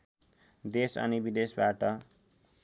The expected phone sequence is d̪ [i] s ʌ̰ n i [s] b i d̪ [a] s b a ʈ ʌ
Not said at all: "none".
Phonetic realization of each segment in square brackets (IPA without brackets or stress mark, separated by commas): e, none, e